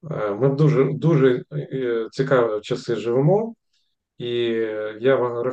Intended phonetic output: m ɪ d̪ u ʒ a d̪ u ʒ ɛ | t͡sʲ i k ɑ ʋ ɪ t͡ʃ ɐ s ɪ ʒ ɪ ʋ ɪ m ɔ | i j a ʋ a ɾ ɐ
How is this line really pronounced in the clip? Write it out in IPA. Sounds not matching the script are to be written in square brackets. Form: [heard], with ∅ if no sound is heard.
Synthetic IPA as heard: m ɪ d̪ u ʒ [ɛ] d̪ u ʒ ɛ | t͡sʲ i k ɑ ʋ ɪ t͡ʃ ɐ s ɪ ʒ ɪ ʋ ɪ m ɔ | i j a ʋ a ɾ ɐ